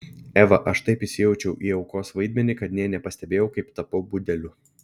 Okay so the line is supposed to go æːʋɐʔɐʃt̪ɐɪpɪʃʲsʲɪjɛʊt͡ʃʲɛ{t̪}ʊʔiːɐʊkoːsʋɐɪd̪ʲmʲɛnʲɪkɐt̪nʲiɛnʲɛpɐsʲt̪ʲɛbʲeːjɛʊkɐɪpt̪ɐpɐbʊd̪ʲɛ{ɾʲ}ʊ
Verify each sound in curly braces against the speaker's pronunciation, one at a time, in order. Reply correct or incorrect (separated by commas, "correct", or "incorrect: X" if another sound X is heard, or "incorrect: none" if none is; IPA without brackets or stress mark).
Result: incorrect: none, incorrect: lʲ